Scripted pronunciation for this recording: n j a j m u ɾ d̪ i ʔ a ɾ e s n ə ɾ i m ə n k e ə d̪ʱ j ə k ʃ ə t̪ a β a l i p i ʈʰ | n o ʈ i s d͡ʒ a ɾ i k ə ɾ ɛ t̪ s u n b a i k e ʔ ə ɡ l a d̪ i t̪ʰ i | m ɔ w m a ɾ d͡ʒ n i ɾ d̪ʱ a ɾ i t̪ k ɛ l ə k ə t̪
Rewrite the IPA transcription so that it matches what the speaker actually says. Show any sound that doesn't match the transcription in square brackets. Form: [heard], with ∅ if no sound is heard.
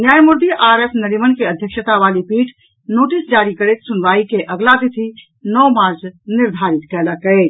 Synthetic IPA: n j a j m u ɾ d̪ i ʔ a ɾ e s n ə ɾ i m ə n k e ə d̪ʱ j ə k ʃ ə t̪ a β a l i p i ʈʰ | n o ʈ i s d͡ʒ a ɾ i k ə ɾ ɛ t̪ s u n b a i k e ʔ ə ɡ l a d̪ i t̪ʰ i | [n] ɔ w m a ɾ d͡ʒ n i ɾ d̪ʱ a ɾ i t̪ k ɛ l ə k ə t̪